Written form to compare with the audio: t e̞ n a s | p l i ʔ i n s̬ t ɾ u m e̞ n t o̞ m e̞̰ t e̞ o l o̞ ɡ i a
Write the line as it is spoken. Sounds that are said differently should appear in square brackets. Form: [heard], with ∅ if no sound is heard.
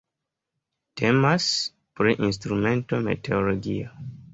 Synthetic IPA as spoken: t e̞ [m] a s | p [ɾ] i ʔ i n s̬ t ɾ u m e̞ n t o̞ m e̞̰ t e̞ o l o̞ ɡ i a